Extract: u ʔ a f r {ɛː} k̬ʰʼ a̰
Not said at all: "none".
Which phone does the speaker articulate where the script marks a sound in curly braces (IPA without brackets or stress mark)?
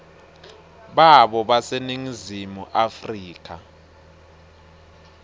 iː